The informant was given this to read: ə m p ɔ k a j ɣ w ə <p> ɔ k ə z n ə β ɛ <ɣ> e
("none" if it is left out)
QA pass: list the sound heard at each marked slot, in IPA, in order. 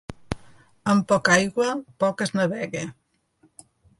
p, ɣ

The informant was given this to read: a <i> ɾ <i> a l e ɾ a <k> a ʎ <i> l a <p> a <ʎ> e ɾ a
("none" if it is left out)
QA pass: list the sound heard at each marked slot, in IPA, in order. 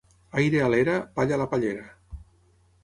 j, e, p, a, p, ʎ

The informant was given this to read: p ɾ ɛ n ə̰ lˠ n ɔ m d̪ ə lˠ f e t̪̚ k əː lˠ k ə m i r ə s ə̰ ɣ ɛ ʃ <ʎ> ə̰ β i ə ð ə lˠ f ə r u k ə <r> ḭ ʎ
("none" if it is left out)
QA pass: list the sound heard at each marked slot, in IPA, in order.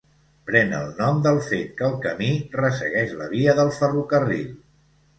l, r

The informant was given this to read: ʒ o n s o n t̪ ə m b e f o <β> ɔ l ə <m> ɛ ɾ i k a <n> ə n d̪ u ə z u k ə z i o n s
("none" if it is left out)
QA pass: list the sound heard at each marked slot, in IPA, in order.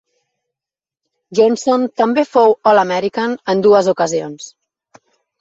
w, m, n

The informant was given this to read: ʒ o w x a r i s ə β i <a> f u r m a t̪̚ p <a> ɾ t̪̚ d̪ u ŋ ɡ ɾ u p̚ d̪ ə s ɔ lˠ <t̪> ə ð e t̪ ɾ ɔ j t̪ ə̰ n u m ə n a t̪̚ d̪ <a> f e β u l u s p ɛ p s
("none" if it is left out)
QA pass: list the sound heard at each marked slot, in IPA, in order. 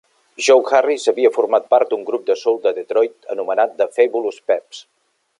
ə, a, d̪, ə

